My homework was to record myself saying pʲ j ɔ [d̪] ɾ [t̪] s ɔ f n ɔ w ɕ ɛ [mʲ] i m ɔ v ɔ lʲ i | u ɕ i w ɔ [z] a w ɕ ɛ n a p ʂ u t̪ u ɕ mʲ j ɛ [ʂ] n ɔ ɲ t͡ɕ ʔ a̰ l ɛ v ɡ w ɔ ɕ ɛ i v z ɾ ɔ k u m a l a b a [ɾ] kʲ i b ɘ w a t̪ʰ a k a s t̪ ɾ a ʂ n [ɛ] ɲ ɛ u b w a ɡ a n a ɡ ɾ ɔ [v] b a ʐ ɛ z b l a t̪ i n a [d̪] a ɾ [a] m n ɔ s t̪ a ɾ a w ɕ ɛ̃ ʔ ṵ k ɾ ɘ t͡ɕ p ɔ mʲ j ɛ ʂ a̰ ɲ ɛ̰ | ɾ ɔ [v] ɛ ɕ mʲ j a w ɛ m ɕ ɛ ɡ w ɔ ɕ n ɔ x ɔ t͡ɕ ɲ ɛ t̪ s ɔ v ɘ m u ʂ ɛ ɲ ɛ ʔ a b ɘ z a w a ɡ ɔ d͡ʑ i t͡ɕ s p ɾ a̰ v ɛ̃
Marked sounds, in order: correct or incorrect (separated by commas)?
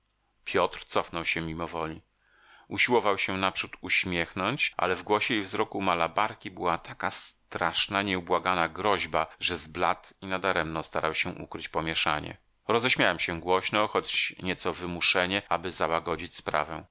incorrect, correct, correct, incorrect, incorrect, correct, incorrect, incorrect, correct, incorrect, incorrect